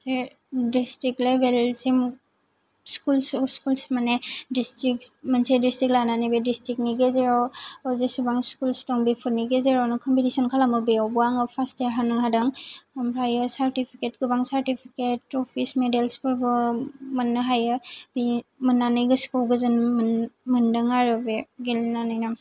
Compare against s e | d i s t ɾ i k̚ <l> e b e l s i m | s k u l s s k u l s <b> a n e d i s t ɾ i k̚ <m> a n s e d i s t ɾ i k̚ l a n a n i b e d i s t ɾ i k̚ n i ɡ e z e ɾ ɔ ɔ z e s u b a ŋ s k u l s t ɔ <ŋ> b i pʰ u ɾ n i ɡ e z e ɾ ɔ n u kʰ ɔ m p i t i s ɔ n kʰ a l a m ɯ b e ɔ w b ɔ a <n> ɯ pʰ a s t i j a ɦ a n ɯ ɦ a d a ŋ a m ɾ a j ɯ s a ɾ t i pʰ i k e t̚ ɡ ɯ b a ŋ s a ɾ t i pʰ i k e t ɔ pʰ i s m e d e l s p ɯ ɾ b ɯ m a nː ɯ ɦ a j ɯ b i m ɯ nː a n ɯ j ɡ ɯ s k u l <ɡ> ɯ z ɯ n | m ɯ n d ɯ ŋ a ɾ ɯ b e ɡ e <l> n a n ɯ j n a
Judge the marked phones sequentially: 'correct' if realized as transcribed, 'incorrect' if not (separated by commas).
correct, incorrect, correct, correct, incorrect, correct, correct